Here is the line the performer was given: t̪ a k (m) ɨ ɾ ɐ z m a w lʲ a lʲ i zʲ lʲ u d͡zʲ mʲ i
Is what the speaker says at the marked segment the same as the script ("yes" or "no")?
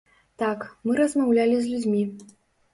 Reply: yes